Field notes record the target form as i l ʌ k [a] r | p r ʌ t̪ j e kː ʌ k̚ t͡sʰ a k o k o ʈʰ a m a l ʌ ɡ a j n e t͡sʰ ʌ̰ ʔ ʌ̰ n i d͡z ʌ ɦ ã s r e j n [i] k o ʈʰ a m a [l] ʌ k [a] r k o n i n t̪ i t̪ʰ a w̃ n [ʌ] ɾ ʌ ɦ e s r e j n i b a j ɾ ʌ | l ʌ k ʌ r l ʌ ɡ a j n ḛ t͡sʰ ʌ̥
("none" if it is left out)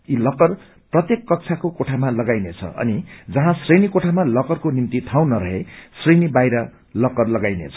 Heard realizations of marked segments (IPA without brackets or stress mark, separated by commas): ʌ, i, l, ʌ, ʌ